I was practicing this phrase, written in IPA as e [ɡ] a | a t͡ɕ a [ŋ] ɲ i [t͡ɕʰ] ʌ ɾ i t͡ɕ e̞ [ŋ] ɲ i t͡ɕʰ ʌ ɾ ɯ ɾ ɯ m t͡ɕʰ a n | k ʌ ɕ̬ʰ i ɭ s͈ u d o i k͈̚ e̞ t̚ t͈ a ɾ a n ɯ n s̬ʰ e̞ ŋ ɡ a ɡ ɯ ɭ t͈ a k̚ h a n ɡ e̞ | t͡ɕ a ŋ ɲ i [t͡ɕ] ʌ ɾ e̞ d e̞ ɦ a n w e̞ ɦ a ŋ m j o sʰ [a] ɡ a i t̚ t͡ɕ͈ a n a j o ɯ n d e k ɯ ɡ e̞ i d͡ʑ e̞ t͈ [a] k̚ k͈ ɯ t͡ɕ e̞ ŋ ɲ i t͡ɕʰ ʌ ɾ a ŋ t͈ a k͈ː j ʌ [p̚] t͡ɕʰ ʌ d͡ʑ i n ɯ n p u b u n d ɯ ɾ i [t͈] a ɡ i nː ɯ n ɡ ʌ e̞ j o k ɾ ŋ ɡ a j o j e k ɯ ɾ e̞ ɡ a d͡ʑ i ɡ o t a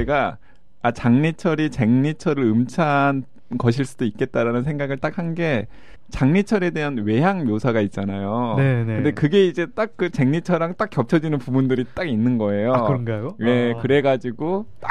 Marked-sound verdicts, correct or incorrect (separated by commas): correct, correct, correct, correct, incorrect, correct, correct, correct, correct